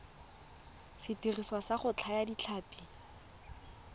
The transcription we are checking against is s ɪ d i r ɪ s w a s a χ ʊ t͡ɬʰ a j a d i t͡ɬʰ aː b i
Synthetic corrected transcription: s ɪ t i r i s w a s a χ ʊ t͡ɬʰ a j a d i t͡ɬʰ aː p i

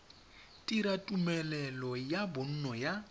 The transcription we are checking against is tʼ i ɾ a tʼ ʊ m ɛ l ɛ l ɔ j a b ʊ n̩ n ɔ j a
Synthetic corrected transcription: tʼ i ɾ a tʼ u m ɛ l ɛ l ɔ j a b ʊ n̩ n ɔ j a

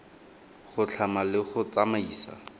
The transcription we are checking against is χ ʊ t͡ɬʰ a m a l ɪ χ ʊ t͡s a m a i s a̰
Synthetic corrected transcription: χ ʊ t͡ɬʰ a m a l ɪ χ ʊ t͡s a m a iː s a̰

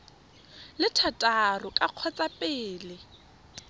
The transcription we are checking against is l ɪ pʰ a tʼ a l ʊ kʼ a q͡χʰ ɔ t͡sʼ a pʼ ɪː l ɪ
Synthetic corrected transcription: l ɪ tʰ a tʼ a r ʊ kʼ a q͡χʰ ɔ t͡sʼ a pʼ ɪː l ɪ

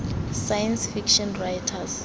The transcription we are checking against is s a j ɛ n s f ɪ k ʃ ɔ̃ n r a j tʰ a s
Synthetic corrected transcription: s a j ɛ n s f i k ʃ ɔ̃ n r a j tʰ a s

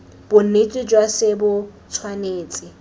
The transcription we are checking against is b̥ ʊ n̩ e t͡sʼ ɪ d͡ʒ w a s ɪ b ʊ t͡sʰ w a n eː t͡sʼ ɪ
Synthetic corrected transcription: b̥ ʊ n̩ e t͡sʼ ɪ d͡ʒ w a s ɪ b ʊ t͡sʰ w a n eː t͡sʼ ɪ

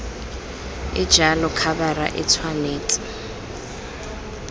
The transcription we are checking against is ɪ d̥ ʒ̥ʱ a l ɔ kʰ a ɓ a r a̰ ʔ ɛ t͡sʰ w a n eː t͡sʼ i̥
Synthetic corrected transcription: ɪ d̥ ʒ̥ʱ a l ɔ kʰ a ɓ a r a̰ ʔ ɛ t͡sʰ w a n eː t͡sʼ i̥

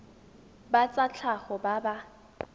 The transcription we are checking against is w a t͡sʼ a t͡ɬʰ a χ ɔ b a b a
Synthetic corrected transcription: b a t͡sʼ a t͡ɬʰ a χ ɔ b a b a

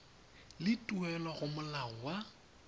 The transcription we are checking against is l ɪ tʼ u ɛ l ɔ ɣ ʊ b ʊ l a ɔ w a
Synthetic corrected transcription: l ɪ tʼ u ɛ l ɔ ɣ ʊ m ʊ l a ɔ w a

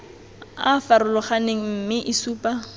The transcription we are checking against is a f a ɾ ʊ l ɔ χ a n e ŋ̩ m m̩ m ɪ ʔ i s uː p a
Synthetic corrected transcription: a f a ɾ ʊ l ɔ χ a n e ŋ̩ m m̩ m ɪ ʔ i s uː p a

